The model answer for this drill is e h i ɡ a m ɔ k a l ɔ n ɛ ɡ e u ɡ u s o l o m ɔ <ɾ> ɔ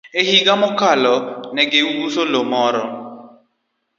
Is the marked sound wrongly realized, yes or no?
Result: no